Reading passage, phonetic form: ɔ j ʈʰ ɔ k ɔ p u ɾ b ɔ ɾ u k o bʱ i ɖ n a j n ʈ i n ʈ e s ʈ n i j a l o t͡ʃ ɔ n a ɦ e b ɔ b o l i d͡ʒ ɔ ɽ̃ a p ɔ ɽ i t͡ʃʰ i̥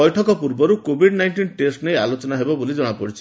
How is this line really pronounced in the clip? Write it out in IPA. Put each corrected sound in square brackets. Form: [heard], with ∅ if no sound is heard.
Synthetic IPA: ɔ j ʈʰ ɔ k ɔ p u ɾ b ɔ ɾ u k o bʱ i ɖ n a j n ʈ i n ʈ e s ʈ n [e] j a l o t͡ʃ ɔ n a ɦ e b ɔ b o l i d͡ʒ ɔ ɽ̃ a p ɔ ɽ i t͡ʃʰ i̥

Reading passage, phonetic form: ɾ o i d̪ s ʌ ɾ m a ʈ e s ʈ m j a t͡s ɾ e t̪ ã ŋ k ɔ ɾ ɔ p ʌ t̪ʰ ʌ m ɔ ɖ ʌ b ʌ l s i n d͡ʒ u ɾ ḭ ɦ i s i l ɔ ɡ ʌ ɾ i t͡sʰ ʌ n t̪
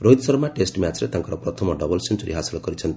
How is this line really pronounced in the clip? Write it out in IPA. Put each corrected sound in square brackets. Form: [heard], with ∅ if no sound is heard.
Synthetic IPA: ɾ o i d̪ s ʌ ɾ m a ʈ e s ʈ m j a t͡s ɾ e t̪ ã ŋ k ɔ ɾ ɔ p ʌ t̪ʰ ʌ m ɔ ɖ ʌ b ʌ l s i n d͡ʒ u ɾ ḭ ɦ [a] s i l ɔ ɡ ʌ ɾ i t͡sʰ ʌ n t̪

